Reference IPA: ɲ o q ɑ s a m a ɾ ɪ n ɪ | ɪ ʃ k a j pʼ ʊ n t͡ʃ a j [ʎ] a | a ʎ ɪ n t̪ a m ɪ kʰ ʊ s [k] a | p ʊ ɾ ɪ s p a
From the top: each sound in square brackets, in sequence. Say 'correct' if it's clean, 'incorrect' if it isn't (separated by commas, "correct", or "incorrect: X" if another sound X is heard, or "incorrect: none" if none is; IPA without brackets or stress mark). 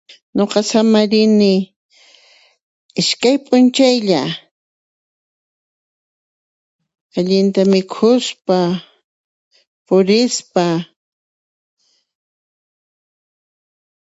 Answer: correct, incorrect: p